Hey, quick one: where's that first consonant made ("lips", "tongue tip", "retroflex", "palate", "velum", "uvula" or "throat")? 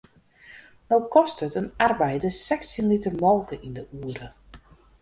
tongue tip